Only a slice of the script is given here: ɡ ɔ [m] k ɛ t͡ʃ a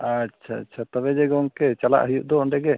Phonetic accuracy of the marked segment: incorrect: ŋ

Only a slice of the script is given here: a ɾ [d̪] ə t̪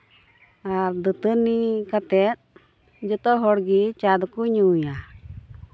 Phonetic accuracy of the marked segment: correct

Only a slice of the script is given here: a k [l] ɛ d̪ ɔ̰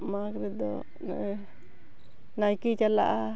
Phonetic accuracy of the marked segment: incorrect: ɾ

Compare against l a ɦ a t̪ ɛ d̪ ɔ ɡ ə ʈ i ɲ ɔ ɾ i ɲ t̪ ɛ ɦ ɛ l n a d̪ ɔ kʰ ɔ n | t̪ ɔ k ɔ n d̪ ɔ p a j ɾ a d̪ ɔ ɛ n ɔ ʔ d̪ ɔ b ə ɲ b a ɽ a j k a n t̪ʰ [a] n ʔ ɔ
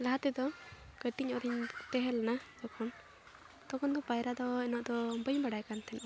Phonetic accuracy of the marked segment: incorrect: ɛ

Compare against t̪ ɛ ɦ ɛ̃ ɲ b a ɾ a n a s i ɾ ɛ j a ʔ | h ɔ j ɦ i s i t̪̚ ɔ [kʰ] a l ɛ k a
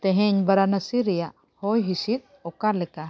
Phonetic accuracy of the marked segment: incorrect: k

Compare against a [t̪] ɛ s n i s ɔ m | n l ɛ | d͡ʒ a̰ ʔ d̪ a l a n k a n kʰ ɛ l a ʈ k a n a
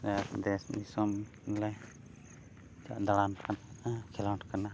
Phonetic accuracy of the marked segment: incorrect: d̪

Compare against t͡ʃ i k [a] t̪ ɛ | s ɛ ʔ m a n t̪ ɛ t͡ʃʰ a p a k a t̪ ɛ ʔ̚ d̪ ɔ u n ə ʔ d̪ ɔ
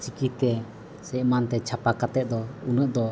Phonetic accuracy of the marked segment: incorrect: i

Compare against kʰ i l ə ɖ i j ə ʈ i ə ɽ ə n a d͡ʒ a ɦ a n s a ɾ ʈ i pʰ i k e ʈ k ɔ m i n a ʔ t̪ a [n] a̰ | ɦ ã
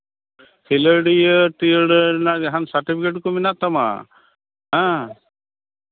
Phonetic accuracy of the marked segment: incorrect: m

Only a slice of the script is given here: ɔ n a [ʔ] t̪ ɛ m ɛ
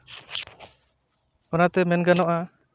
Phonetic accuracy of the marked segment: incorrect: none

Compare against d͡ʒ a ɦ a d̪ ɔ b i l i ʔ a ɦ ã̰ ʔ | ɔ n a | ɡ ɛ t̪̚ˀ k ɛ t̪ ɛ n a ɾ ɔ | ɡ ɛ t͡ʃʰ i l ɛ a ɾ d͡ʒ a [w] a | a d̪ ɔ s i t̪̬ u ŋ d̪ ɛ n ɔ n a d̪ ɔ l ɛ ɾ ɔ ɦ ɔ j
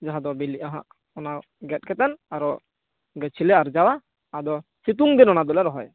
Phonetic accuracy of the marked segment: correct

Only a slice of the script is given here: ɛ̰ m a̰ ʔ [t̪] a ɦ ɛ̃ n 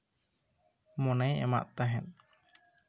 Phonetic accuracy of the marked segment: correct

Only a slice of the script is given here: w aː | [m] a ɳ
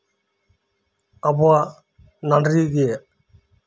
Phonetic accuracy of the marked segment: incorrect: n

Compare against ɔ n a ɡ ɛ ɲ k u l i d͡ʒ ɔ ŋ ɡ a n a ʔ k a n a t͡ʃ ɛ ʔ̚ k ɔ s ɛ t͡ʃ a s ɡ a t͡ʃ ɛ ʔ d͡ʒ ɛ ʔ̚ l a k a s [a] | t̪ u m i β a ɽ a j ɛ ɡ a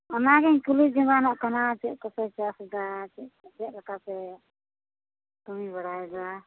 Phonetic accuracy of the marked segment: incorrect: ɛ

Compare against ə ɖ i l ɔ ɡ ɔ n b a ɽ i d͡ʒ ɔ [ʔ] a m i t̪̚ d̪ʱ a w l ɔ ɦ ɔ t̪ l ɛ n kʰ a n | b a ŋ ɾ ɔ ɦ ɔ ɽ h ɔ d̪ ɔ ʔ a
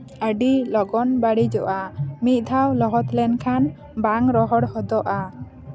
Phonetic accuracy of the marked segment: correct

